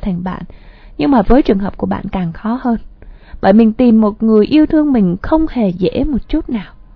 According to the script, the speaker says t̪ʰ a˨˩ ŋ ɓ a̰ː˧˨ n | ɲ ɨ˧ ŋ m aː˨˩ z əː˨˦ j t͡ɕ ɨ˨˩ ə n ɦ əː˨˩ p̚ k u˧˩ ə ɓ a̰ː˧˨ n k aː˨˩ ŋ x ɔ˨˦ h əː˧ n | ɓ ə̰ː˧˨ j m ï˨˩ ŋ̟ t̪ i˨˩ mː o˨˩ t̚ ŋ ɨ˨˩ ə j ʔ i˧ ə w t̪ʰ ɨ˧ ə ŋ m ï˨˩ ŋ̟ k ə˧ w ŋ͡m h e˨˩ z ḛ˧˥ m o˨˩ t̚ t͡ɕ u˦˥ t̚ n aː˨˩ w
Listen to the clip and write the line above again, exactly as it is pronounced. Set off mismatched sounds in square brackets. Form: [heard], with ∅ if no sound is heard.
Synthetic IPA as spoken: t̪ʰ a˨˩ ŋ ɓ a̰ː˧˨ n | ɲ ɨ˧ ŋ m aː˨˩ [v] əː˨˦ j t͡ɕ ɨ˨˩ ə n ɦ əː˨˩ p̚ k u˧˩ ə ɓ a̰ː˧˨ n k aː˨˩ ŋ x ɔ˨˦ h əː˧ n | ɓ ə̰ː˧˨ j m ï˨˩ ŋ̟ t̪ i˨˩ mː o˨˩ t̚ ŋ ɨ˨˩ ə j ʔ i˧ ə w t̪ʰ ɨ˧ ə ŋ m ï˨˩ ŋ̟ [x] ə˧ w ŋ͡m h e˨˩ z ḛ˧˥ m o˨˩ t̚ t͡ɕ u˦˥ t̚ n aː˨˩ w